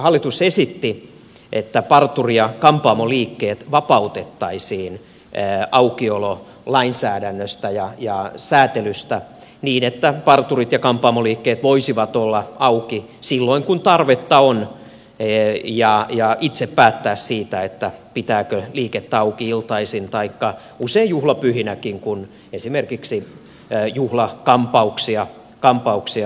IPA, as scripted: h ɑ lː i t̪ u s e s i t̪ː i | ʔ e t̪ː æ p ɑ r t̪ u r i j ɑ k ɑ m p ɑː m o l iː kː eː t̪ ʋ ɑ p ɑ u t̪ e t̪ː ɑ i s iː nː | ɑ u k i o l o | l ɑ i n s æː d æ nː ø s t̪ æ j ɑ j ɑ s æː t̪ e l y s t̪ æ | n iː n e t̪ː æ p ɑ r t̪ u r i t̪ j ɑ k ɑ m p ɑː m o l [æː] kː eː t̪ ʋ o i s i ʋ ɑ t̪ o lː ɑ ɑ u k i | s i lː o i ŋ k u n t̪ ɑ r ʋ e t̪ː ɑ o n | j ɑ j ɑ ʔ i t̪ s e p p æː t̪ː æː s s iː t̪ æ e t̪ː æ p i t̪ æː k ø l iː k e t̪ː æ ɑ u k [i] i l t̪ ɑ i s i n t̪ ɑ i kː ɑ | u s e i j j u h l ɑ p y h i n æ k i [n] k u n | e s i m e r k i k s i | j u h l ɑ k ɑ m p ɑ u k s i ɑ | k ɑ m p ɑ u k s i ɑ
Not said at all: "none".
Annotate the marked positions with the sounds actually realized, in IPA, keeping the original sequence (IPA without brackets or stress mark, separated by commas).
iː, i, ŋ